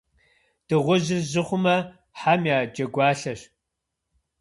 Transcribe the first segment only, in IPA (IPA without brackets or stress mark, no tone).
d̥